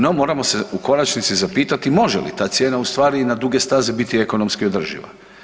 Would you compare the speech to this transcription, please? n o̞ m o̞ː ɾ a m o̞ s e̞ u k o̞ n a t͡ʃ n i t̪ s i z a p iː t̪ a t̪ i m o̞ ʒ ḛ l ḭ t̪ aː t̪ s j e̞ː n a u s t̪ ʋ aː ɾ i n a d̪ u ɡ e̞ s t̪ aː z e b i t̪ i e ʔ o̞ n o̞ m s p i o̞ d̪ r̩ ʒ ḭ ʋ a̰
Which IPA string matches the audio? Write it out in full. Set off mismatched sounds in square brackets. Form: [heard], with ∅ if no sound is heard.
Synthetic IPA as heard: n o̞ m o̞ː ɾ a m o̞ s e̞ u k o̞ n a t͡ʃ n i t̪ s i z a p iː t̪ a t̪ i m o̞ ʒ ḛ l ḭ t̪ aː t̪ s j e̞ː n a u s t̪ ʋ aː ɾ i n a d̪ u ɡ e̞ s t̪ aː z e b i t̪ i e [k] o̞ n o̞ m s [k] i o̞ d̪ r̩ ʒ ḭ ʋ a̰